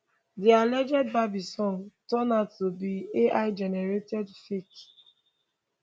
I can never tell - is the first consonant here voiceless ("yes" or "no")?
no